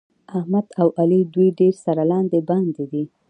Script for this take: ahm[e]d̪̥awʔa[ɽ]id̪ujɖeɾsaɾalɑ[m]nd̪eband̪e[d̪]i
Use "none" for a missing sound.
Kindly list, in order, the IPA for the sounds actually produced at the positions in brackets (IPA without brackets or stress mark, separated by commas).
a, l, none, d̪